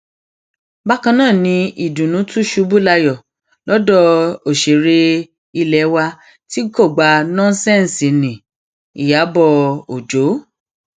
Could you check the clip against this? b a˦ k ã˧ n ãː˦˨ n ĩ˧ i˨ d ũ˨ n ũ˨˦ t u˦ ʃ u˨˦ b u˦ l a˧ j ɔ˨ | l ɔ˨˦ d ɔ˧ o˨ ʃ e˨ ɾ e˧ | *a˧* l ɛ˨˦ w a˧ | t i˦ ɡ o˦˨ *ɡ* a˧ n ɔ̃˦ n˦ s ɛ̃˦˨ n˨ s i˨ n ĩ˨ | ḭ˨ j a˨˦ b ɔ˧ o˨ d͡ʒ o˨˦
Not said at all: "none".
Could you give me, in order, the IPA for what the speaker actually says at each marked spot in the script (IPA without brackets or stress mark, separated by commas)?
i˧, ɡ͡b